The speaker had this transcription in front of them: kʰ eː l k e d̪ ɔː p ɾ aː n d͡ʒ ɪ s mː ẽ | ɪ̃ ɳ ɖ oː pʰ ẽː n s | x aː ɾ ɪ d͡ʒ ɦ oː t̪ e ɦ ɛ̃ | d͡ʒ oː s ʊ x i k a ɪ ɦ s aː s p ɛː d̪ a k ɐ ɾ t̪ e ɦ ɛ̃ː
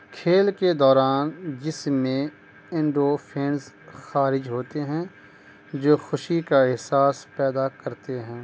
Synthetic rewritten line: kʰ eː l k e d̪ ɔː ɾ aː n d͡ʒ ɪ s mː ẽ | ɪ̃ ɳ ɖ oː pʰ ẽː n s | x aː ɾ ɪ d͡ʒ ɦ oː t̪ e ɦ ɛ̃ | d͡ʒ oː x ʊ ʃ i k a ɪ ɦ s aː s p ɛː d̪ a k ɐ ɾ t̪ e ɦ ɛ̃ː